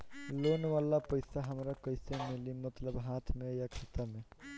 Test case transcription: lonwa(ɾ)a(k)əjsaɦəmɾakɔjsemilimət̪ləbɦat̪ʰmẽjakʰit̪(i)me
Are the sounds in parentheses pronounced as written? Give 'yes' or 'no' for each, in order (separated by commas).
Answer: no, no, no